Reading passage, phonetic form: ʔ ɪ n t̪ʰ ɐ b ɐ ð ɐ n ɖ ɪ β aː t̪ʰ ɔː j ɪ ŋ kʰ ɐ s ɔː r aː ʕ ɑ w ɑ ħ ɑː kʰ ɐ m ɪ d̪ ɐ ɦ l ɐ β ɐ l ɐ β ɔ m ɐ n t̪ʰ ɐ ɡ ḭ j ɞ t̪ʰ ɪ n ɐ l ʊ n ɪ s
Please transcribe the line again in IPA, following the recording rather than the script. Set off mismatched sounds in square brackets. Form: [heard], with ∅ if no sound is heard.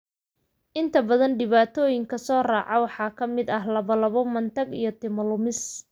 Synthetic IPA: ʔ ɪ n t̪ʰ ɐ b ɐ ð ɐ n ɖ ɪ β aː t̪ʰ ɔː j ɪ ŋ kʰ ɐ s ɔː r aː ʕ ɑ w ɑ ħ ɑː kʰ ɐ m ɪ d̪ ɐ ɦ l ɐ β ɐ l ɐ β ɔ m ɐ n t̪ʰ ɐ ɡ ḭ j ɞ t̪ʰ ɪ [m] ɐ l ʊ [m] ɪ s